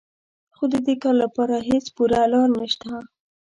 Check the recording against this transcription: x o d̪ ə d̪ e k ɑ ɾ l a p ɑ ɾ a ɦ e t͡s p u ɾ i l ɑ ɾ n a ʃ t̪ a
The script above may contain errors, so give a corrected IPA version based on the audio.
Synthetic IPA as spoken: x o d̪ ə d̪ e k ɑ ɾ l a p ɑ ɾ a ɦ e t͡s p u ɾ a l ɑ ɾ n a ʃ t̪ a